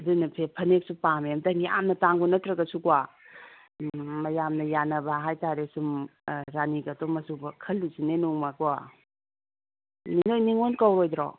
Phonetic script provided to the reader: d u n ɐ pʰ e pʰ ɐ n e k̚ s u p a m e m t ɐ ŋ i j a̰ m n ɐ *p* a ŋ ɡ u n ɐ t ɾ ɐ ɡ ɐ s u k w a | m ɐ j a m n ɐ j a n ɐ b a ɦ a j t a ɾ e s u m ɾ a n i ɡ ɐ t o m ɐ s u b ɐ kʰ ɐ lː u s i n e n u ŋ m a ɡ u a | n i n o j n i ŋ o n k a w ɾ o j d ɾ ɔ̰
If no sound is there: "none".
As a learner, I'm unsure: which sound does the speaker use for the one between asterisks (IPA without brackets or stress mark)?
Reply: t